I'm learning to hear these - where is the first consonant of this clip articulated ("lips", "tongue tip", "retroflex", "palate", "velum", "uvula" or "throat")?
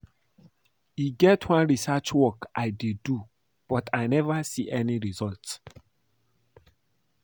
velum